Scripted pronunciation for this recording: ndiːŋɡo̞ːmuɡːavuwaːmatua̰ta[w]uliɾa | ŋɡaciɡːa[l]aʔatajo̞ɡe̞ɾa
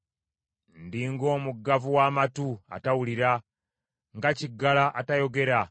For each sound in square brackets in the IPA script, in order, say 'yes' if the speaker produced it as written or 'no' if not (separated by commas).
yes, yes